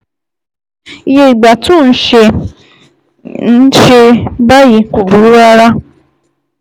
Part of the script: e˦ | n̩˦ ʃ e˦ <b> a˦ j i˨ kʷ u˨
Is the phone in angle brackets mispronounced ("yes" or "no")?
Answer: no